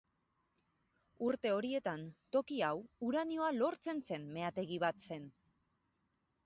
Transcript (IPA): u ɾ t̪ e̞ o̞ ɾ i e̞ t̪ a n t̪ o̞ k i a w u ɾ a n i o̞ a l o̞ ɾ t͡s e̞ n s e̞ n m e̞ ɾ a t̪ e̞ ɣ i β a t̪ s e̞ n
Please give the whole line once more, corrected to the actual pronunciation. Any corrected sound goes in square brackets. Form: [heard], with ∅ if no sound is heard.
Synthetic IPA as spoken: u ɾ t̪ e̞ o̞ ɾ i e̞ t̪ a n t̪ o̞ k i a w u ɾ a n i o̞ a l o̞ ɾ t͡s e̞ n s e̞ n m e̞ [∅] a t̪ e̞ ɣ i β a t̪ s e̞ n